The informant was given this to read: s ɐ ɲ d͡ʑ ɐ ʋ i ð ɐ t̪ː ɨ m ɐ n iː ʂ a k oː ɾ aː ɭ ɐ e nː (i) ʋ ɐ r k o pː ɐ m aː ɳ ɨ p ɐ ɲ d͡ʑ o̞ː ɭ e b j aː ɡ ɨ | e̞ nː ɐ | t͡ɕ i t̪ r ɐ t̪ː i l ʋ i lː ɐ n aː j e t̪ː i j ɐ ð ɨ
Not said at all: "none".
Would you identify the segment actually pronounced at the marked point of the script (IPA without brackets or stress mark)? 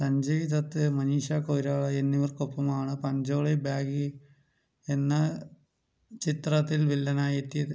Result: i